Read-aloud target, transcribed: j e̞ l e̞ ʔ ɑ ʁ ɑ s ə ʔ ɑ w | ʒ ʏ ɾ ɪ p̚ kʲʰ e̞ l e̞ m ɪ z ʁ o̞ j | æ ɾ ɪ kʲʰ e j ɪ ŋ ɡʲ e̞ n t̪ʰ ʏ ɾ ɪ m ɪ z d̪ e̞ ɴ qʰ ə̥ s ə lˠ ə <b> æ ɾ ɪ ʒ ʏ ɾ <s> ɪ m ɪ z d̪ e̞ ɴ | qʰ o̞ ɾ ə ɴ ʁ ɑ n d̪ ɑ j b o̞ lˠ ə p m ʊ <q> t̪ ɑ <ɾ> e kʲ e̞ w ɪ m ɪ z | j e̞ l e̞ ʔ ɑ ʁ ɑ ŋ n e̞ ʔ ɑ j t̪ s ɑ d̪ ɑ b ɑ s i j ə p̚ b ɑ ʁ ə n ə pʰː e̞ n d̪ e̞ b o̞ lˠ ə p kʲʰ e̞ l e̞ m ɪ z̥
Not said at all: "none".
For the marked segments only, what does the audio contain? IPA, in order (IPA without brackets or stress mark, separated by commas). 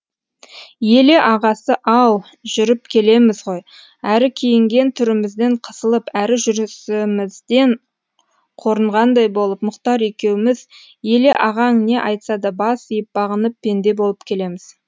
p, s, q, ɾ